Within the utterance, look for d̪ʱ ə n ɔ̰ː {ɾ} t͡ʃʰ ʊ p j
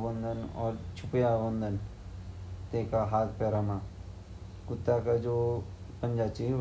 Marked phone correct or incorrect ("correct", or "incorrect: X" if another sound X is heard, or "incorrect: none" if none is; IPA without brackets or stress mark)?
correct